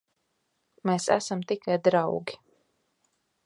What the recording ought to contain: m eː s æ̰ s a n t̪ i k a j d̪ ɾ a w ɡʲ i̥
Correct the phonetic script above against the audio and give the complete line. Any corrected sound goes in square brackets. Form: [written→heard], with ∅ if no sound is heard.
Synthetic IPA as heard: m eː s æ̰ s a [n→m] t̪ i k a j d̪ ɾ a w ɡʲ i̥